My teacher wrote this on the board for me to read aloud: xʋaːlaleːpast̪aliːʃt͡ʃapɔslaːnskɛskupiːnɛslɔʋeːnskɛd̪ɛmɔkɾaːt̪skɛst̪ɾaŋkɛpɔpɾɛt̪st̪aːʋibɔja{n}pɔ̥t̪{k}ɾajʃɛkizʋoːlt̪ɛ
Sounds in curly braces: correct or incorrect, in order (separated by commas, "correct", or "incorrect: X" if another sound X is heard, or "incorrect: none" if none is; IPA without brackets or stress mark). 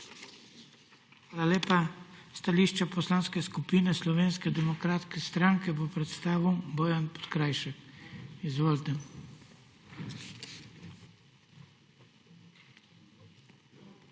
correct, correct